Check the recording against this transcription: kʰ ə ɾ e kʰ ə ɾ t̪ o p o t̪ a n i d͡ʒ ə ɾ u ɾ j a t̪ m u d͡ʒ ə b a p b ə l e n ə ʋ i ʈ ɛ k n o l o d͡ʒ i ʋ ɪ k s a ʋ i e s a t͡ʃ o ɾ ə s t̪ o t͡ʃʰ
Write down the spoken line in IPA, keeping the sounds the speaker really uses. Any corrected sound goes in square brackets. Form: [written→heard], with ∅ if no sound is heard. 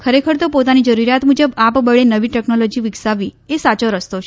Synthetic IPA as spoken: kʰ ə ɾ e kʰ ə ɾ t̪ o p o t̪ a n i d͡ʒ ə ɾ u ɾ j a t̪ m u d͡ʒ ə b a p b ə [l→ɭ] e n ə ʋ i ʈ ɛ k n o l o d͡ʒ i ʋ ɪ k s a ʋ i e s a t͡ʃ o ɾ ə s t̪ o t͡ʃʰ